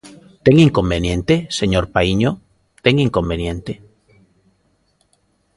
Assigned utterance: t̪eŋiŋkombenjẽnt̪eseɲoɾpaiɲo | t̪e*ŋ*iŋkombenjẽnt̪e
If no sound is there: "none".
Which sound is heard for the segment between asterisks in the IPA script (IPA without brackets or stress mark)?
ŋ